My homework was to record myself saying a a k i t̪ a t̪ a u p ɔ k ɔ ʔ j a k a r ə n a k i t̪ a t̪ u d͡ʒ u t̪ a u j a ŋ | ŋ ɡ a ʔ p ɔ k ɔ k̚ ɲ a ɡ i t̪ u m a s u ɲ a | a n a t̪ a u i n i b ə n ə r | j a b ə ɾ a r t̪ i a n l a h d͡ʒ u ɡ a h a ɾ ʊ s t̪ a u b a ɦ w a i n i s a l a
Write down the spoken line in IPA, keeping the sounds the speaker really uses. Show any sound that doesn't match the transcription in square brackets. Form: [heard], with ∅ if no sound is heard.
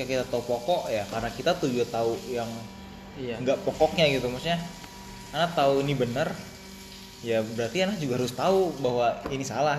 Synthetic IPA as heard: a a k i t̪ a t̪ a u p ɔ k ɔ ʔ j a k a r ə n a k i t̪ a t̪ u d͡ʒ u t̪ a u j a ŋ | ŋ ɡ a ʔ p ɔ k ɔ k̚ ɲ a ɡ i t̪ u m a s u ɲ a | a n a t̪ a u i n i b ə n ə r | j a b ə ɾ a r t̪ i a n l a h d͡ʒ u ɡ a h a ɾ ʊ s t̪ a u b a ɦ w a i n i s a l a